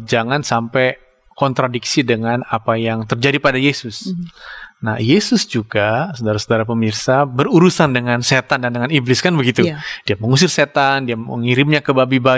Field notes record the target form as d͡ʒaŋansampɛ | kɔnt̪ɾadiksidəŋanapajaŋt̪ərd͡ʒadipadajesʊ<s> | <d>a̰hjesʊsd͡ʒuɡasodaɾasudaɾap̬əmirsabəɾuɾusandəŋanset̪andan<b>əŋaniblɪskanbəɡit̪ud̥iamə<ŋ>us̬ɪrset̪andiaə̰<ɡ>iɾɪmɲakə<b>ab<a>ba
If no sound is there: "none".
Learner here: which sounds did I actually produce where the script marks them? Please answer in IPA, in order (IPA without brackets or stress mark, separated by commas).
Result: s, n, d, ŋ, ŋ, b, i